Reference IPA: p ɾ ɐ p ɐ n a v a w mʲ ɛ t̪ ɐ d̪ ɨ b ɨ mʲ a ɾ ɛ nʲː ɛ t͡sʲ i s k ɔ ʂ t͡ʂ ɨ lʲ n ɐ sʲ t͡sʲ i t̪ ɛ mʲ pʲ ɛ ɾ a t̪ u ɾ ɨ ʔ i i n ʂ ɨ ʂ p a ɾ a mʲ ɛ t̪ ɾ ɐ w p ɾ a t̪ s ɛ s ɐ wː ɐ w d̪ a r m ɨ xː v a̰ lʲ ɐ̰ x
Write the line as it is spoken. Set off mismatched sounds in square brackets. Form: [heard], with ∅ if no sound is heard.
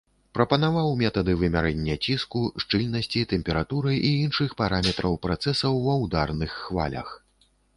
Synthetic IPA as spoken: p ɾ ɐ p ɐ n a v a w mʲ ɛ t̪ ɐ d̪ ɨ [v] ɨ mʲ a ɾ ɛ nʲː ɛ t͡sʲ i s k [u] ʂ t͡ʂ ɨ lʲ n ɐ sʲ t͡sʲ i t̪ ɛ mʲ pʲ ɛ ɾ a t̪ u ɾ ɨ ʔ i i n ʂ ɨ [x] p a ɾ a mʲ ɛ t̪ ɾ ɐ w p ɾ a t̪ s ɛ s ɐ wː ɐ w d̪ a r [n] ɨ xː v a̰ lʲ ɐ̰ x